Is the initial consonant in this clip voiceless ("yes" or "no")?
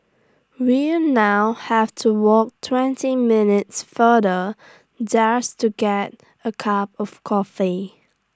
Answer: no